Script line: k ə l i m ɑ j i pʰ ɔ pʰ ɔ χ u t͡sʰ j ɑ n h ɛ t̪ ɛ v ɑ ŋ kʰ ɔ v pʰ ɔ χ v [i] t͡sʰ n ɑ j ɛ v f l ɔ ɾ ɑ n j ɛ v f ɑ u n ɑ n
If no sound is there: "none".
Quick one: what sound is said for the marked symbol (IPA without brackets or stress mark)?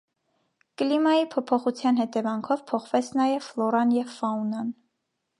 ɛ